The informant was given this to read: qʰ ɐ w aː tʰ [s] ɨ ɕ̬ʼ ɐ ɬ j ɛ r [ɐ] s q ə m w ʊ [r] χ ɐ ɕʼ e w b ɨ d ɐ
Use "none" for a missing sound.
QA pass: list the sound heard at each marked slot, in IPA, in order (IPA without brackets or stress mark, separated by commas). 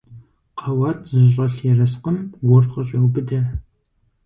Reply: z, ɐ, r